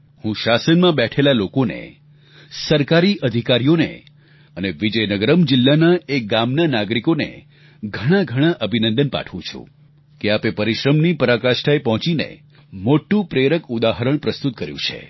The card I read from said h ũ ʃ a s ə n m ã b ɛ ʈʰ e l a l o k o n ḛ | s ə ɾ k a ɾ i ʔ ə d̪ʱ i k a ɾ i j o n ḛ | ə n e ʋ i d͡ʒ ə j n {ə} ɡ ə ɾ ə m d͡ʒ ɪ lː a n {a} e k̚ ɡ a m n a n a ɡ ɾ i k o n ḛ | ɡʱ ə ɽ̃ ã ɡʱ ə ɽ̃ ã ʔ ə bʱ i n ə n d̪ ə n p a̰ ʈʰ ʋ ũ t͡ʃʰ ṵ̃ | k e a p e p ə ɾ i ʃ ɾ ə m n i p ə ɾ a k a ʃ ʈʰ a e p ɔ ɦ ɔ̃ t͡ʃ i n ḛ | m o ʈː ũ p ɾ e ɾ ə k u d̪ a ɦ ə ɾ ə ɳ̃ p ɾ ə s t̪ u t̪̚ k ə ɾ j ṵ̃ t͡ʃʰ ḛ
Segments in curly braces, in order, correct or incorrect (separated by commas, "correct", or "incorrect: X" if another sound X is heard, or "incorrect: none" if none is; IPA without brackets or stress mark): correct, correct